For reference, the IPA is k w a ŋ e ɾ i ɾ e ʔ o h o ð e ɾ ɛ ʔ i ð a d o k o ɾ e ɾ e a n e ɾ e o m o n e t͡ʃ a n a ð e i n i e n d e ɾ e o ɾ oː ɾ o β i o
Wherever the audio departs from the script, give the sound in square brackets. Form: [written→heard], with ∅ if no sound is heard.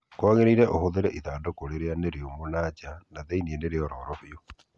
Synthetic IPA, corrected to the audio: k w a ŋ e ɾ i ɾ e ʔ o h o ð e ɾ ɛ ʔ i ð a d o k o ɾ e ɾ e a n e ɾ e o m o n [e→a] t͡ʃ a n a ð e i n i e n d e ɾ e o ɾ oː ɾ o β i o